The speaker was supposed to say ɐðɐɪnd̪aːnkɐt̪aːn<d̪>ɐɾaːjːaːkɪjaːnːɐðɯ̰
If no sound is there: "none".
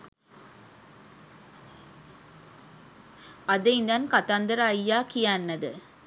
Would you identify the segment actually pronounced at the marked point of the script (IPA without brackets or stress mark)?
d̪